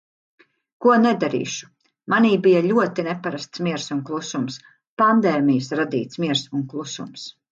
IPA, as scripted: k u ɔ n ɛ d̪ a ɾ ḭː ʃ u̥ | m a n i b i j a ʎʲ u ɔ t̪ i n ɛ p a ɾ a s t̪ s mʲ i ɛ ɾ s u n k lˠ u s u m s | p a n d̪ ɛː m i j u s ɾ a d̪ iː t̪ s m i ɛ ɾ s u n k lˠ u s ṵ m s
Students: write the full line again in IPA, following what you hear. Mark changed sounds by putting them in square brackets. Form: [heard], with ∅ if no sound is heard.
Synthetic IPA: k u ɔ n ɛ d̪ a ɾ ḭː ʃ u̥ | m a n [iː] b i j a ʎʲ u ɔ t̪ i n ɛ p a ɾ a s t̪ s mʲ i ɛ ɾ s u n k lˠ u s u m s | p a n d̪ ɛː m i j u s ɾ a d̪ iː t̪ s m i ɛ ɾ s u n k lˠ u s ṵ m s

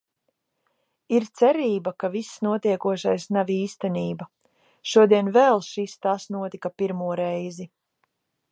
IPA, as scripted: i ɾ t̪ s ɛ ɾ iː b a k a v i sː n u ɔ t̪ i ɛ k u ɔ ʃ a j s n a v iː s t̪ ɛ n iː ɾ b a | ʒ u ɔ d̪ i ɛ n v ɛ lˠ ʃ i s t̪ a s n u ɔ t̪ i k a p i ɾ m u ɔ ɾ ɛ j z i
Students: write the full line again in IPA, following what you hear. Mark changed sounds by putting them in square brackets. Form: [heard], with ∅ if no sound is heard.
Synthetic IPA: i ɾ t̪ s ɛ ɾ iː b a k a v i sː n u ɔ t̪ i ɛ k u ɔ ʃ a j s n a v iː s t̪ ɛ n iː [∅] b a | [ʃ] u ɔ d̪ i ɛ n v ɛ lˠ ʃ i s t̪ a s n u ɔ t̪ i k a p i ɾ m u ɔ ɾ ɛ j z i

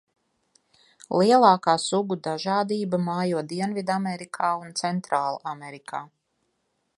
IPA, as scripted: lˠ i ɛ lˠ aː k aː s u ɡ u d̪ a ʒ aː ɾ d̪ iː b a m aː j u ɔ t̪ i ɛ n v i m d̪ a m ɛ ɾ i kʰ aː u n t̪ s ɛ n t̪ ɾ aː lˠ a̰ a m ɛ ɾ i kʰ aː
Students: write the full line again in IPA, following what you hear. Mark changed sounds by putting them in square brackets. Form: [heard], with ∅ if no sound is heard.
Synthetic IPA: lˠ i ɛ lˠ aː k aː s u ɡ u d̪ a ʒ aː [∅] d̪ iː b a m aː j u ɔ [d̪] i ɛ n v i [∅] d̪ a m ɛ ɾ i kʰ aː u n t̪ s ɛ n t̪ ɾ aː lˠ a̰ a m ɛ ɾ i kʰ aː

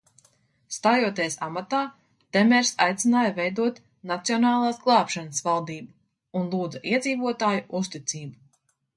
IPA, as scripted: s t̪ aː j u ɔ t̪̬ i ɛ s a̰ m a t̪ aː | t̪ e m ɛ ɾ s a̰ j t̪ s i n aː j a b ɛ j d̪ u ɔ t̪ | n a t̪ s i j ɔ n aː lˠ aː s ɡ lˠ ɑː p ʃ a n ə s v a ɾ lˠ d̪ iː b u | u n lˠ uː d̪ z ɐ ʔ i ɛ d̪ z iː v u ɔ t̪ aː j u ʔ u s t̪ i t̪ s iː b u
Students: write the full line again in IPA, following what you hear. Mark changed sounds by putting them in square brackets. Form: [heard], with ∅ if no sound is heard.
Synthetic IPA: s t̪ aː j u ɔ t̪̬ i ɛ s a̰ m a t̪ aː | t̪ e m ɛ ɾ s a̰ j t̪ s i n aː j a [v] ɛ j d̪ u ɔ t̪ | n a t̪ s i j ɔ n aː lˠ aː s ɡ lˠ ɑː p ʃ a n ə s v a [∅] lˠ d̪ iː b u | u n lˠ uː d̪ z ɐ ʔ i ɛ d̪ z iː v u ɔ t̪ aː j u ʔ u s t̪ i t̪ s iː b u

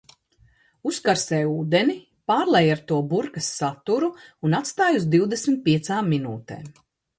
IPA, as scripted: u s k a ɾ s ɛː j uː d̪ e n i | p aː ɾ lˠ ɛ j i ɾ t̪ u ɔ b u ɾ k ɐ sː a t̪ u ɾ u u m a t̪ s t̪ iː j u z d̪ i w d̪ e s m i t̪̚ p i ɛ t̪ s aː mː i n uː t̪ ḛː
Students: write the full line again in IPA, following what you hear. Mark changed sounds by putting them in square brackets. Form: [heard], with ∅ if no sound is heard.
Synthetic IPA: u s k a ɾ s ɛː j uː d̪ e n i | p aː ɾ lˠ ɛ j [a] ɾ t̪ u ɔ b u ɾ k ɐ sː a t̪ u ɾ u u [n] a t̪ s t̪ [aː] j u z d̪ i w d̪ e s m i t̪̚ p i ɛ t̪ s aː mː i n uː t̪ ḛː

